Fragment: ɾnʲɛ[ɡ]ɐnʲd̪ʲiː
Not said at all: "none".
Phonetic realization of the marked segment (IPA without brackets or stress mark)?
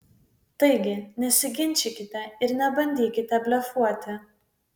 b